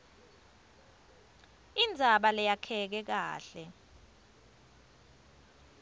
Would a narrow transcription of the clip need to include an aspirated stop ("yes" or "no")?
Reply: yes